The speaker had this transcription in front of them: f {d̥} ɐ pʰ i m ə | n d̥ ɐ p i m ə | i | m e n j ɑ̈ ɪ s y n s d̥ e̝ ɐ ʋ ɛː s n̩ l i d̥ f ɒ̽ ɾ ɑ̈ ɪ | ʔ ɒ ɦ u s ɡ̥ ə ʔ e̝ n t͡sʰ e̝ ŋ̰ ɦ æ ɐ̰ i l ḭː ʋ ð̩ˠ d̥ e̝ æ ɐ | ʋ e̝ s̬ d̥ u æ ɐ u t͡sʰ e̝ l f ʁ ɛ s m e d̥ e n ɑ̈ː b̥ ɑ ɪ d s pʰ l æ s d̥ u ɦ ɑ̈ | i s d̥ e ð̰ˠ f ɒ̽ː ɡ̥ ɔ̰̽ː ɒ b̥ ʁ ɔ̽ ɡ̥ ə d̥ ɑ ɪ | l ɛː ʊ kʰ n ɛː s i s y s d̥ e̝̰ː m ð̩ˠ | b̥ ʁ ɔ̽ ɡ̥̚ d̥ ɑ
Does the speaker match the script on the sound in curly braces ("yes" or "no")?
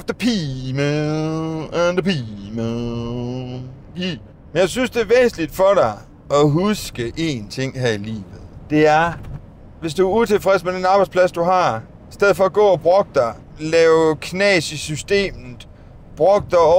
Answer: yes